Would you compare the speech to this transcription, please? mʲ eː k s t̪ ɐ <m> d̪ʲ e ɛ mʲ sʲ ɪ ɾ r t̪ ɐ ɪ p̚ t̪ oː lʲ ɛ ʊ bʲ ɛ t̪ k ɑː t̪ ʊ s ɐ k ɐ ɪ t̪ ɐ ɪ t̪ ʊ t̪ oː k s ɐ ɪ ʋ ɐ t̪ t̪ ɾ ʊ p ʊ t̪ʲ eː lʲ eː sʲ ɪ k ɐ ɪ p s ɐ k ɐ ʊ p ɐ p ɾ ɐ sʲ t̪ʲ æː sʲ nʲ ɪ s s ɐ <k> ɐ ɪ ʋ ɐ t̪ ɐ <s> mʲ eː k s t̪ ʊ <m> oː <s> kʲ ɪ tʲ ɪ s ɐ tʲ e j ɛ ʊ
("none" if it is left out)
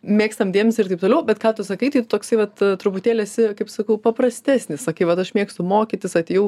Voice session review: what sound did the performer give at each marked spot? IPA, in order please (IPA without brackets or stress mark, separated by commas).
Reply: m, k, ʃ, m, none